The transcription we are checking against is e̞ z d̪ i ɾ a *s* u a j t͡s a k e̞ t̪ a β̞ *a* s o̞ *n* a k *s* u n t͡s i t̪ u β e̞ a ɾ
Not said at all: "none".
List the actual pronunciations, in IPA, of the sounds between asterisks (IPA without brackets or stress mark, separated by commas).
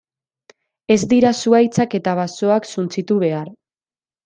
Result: s, a, none, s